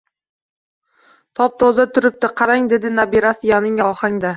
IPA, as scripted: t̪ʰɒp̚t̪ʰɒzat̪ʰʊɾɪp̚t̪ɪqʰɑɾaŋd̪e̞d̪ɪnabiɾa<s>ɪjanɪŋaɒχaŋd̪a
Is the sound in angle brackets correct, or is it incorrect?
correct